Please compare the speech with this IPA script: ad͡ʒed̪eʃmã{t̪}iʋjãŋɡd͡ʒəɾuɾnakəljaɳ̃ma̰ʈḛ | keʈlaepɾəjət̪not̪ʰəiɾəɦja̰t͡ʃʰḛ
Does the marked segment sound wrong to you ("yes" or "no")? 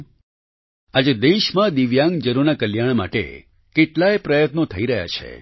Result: yes